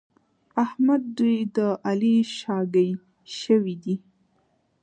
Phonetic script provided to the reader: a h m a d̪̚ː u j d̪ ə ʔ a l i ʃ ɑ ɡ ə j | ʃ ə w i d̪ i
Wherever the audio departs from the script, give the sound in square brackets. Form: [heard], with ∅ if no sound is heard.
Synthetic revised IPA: a h m a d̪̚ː u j d̪ ə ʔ a l i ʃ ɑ ɡ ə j | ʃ ə w i d̪ i